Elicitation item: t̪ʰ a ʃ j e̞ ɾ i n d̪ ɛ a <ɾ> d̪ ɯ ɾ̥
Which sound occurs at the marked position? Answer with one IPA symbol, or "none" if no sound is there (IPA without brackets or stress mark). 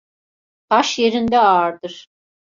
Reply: ɾ